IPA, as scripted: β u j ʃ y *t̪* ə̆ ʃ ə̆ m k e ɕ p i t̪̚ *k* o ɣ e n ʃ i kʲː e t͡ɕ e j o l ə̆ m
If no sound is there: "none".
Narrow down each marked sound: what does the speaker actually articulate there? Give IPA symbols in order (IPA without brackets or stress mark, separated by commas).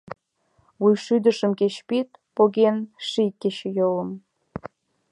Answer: d̪, p